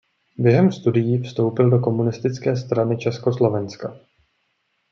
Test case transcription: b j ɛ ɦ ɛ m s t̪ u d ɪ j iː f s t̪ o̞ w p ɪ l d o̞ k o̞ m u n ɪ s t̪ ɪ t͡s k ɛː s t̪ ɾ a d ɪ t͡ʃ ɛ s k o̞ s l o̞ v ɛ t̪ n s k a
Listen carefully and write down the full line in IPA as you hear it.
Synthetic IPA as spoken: b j ɛ ɦ ɛ m s t̪ u d ɪ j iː f s t̪ o̞ w p ɪ l d o̞ k o̞ m u n ɪ s t̪ ɪ t͡s k ɛː s t̪ ɾ a n ɪ t͡ʃ ɛ s k o̞ s l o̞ v ɛ n s k a

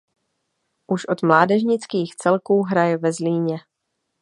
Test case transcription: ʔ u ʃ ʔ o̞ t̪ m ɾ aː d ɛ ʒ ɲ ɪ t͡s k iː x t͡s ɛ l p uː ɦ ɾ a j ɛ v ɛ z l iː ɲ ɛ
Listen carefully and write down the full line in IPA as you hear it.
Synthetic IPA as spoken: ʔ u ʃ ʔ o̞ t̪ m l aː d ɛ ʒ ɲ ɪ t͡s k iː x t͡s ɛ l k uː ɦ ɾ a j ɛ v ɛ z l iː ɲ ɛ

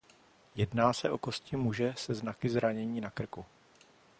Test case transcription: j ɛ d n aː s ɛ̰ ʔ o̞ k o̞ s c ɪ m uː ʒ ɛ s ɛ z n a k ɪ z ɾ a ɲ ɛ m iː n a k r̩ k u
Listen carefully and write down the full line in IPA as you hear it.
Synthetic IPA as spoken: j ɛ d n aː s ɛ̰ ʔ o̞ k o̞ s c ɪ m u ʒ ɛ s ɛ z n a k ɪ z ɾ a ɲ ɛ ɲ iː n a k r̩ k u

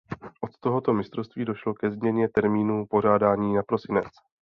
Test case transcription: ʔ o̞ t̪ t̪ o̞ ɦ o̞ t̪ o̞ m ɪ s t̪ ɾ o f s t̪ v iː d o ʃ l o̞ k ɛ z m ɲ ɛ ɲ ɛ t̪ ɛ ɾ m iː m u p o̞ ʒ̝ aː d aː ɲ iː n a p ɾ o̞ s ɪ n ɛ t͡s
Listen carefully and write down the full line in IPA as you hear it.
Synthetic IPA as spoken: ʔ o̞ t̪ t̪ o̞ ɦ o̞ t̪ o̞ m ɪ s t̪ ɾ o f s t̪ v iː d o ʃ l o̞ k ɛ z m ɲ ɛ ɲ ɛ t̪ ɛ ɾ m iː n u p o̞ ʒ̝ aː d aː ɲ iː n a p ɾ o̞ s ɪ n ɛ t͡s

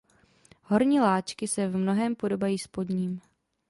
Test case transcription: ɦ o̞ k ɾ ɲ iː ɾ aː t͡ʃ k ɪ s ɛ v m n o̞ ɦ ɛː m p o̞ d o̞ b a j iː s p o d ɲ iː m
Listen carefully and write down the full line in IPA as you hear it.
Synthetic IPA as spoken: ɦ o̞ ɾ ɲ iː l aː t͡ʃ k ɪ s ɛ v m n o̞ ɦ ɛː m p o̞ d o̞ b a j iː s p o d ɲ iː m

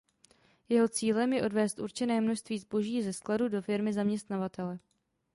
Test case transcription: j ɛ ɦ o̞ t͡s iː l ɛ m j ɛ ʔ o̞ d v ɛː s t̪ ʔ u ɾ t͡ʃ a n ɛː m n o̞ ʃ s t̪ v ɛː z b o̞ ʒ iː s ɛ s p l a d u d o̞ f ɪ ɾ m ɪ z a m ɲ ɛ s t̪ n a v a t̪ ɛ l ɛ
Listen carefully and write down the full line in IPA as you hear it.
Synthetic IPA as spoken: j ɛ ɦ o̞ t͡s iː l ɛ m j ɛ ʔ o̞ d v ɛː s t̪ ʔ u ɾ t͡ʃ ɛ n ɛː m n o̞ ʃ s t̪ v iː z b o̞ ʒ iː z ɛ s k l a d u d o̞ f ɪ ɾ m ɪ z a m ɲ ɛ s t̪ n a v a t̪ ɛ l ɛ

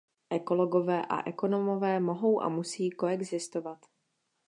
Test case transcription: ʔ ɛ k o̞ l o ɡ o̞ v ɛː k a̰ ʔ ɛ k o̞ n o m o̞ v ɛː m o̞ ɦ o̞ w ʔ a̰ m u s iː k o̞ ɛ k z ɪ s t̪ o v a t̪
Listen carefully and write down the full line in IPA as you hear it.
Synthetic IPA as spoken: ʔ ɛ k o̞ l o ɡ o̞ v ɛː ʔ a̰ ʔ ɛ k o̞ n o m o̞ v ɛː m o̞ ɦ o̞ w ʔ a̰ m u s iː k o̞ ɛ ɡ z ɪ s t̪ o v a t̪

